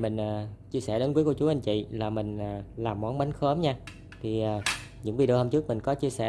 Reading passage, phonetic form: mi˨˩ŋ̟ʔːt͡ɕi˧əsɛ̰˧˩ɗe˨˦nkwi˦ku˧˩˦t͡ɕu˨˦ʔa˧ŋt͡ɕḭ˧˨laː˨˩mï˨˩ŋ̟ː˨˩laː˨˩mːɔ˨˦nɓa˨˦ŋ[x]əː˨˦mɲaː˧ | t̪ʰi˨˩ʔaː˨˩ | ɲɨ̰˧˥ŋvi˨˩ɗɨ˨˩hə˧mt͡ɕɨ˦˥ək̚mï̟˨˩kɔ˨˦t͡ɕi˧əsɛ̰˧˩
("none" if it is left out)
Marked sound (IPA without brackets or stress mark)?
x